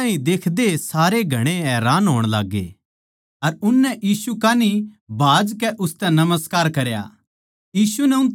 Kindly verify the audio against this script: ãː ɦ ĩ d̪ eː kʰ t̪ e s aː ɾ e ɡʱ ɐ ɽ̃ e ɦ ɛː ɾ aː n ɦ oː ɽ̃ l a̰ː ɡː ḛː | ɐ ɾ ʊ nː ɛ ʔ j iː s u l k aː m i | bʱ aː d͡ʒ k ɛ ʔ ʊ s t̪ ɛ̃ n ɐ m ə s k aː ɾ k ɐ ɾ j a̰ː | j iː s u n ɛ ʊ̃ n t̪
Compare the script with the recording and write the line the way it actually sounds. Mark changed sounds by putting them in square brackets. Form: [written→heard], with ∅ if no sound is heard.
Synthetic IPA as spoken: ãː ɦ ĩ d̪ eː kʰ [t̪→d̪] e s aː ɾ e ɡʱ ɐ ɽ̃ e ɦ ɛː ɾ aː n ɦ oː ɽ̃ l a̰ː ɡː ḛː | ɐ ɾ ʊ nː ɛ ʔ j iː s u [l→∅] k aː [m→n] i | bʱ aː d͡ʒ k ɛ ʔ ʊ s t̪ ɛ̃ n ɐ m ə s k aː ɾ k ɐ ɾ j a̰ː | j iː s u n ɛ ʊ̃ n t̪

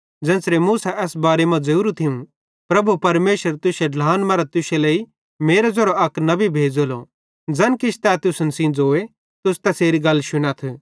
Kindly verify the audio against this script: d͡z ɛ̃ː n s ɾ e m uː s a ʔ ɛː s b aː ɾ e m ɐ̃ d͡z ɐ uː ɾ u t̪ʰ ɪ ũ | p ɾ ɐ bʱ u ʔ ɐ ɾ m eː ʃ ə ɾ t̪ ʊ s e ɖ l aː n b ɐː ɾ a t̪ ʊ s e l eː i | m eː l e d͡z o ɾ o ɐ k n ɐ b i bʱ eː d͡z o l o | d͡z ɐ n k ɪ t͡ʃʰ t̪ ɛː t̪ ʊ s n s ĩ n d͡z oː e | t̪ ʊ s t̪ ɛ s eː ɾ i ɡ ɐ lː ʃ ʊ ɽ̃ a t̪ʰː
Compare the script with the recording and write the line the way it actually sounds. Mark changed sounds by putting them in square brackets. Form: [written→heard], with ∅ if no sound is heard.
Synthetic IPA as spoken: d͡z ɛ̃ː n s ɾ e m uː s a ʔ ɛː s b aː ɾ e m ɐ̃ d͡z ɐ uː ɾ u t̪ʰ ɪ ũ | p ɾ ɐ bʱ u [ʔ→p] ɐ ɾ m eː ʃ ə ɾ t̪ ʊ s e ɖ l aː n [b→m] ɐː ɾ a t̪ ʊ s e l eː i | m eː [l→ɾ] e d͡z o ɾ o ɐ k n ɐ b i bʱ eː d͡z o l o | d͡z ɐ n k ɪ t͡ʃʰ t̪ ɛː t̪ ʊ s n s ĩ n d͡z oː e | t̪ ʊ s t̪ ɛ s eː ɾ i ɡ ɐ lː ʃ ʊ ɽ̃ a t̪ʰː

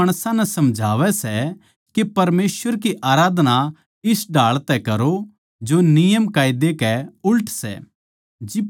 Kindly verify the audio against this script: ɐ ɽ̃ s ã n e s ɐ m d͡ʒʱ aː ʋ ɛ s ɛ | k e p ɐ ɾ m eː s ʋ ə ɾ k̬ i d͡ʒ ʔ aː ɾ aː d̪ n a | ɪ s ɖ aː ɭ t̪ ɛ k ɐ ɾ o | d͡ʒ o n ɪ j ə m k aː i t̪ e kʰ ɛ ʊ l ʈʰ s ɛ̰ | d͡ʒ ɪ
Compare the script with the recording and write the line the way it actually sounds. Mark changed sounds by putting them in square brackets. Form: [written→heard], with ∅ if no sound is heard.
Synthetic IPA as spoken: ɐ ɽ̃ s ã n [e→ɛ] s ɐ m d͡ʒʱ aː ʋ ɛ s ɛ | k e p ɐ ɾ m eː s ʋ ə ɾ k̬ i [d͡ʒ→∅] ʔ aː ɾ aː d̪ n a | ɪ s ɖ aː ɭ t̪ ɛ k ɐ ɾ o | d͡ʒ o n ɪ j ə m k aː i [t̪→d̪] e [kʰ→k] ɛ ʊ l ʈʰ s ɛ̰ | d͡ʒ ɪ

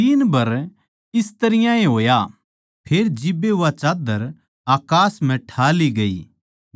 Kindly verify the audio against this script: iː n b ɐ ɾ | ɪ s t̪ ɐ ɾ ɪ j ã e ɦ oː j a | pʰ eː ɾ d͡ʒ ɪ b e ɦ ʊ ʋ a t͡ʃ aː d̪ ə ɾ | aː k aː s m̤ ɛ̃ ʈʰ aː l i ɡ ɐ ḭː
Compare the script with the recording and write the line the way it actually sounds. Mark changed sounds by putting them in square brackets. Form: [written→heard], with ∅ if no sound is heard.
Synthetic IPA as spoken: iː n b ɐ ɾ | ɪ s t̪ ɐ ɾ ɪ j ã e ɦ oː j a | pʰ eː ɾ d͡ʒ ɪ b e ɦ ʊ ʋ a t͡ʃ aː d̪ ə ɾ | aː k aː s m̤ ɛ̃ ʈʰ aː l i ɡ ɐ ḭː

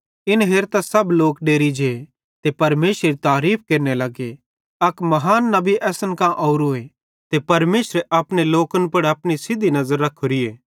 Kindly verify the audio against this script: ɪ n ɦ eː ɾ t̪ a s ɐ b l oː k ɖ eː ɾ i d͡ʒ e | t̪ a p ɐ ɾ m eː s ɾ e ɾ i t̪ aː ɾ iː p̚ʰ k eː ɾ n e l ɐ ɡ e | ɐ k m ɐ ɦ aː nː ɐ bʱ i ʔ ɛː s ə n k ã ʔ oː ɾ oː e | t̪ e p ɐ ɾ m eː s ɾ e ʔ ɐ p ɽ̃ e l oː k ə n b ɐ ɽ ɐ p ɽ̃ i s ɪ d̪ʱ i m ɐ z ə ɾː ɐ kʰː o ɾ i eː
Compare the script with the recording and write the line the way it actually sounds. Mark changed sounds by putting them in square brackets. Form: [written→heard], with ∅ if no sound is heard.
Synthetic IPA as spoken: ɪ n ɦ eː ɾ t̪ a s ɐ b l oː k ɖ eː ɾ i d͡ʒ e | t̪ [a→e] p ɐ ɾ m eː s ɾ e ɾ i t̪ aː ɾ iː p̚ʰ k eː ɾ n e l ɐ ɡ e | ɐ k m ɐ ɦ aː nː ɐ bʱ i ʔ ɛː s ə n k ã ʔ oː ɾ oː e | t̪ e p ɐ ɾ m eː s ɾ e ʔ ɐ p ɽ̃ e l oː k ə n [b→p] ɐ ɽ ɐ p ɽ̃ i s ɪ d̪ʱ i [m→n] ɐ z ə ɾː ɐ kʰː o ɾ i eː

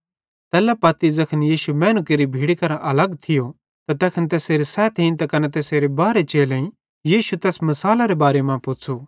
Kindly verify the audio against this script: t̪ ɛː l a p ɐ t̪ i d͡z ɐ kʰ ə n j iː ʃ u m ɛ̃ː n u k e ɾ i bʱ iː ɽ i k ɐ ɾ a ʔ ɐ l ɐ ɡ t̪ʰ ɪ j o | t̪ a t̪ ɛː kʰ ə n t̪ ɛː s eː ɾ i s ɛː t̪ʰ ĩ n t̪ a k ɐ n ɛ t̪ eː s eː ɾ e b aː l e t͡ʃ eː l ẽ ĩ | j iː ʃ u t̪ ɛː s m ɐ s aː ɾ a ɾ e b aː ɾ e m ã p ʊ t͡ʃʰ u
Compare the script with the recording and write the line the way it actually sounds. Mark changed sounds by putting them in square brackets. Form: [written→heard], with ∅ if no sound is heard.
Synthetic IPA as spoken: t̪ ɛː l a p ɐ t̪ i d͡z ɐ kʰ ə n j iː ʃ u m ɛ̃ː n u k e ɾ i bʱ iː ɽ i k ɐ ɾ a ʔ ɐ l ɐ ɡ t̪ʰ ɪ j o | t̪ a t̪ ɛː kʰ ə n t̪ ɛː s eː ɾ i s ɛː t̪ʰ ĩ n t̪ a k ɐ n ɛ t̪ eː s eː ɾ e b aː [l→ɾ] e t͡ʃ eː l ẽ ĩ | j iː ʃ u t̪ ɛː s m ɐ s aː [ɾ→l] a ɾ e b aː ɾ e m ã p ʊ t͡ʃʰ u

